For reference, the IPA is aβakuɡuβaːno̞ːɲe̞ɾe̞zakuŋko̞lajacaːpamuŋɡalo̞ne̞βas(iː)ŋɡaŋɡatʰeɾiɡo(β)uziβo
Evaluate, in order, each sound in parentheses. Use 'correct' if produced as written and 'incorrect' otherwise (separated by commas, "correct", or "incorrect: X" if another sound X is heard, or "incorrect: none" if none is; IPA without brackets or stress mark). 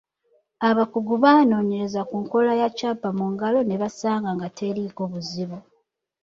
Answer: incorrect: aː, correct